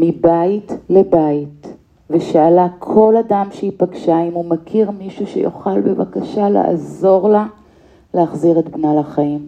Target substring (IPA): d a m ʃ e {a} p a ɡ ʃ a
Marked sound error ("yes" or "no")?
yes